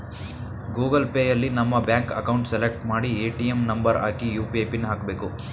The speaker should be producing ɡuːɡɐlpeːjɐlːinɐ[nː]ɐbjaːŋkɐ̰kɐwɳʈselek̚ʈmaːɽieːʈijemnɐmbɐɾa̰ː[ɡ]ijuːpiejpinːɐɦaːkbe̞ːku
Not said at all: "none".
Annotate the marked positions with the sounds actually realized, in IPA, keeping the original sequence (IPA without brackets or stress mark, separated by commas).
mː, k